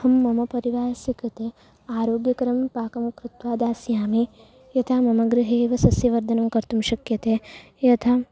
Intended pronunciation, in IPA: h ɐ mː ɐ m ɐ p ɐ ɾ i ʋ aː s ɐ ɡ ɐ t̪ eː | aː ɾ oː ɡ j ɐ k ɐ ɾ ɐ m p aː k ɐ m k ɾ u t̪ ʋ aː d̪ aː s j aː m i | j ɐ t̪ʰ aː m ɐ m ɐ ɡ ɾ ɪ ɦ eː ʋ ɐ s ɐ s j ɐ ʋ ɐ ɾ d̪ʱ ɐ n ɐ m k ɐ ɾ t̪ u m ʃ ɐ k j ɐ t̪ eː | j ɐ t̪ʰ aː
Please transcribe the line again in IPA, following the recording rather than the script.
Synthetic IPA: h ɐ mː ɐ m ɐ p ɐ ɾ i ʋ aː s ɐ k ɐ t̪ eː | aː ɾ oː ɡ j ɐ k ɐ ɾ ɐ m p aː k ɐ m k ɾ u t̪ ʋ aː d̪ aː s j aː m i | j ɐ t̪ʰ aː m ɐ m ɐ ɡ ɾ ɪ ɦ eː ʋ ɐ s ɐ s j ɐ ʋ ɐ ɾ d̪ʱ ɐ n ɐ m k ɐ ɾ t̪ u m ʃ ɐ k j ɐ t̪ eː | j ɐ t̪ʰ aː